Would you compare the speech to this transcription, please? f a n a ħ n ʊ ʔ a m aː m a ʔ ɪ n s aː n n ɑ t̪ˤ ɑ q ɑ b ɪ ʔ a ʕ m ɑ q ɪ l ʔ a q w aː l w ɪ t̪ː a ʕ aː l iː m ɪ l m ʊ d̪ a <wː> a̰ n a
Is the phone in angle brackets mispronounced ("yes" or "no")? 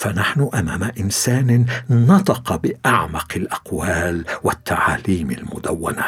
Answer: no